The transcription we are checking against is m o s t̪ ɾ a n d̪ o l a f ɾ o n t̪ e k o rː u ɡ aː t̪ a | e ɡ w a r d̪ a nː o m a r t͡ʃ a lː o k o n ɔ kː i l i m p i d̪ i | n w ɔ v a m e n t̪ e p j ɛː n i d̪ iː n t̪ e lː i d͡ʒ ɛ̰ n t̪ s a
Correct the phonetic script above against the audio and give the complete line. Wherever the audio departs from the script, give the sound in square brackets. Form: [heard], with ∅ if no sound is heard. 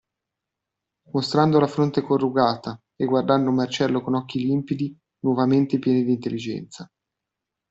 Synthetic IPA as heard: m o s t̪ ɾ a n d̪ o l a f ɾ o n t̪ e k o rː u ɡ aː t̪ a | e ɡ w a r d̪ a nː o m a r t͡ʃ [ɛ] lː o k o n ɔ kː i l i m p i d̪ i | n w ɔ v a m e n t̪ e p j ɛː n i d̪ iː n t̪ e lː i d͡ʒ ɛ̰ n t̪ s a